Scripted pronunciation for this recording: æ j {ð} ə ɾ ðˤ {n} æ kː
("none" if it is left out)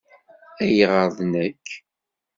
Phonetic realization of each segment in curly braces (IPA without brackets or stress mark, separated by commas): ʁ, n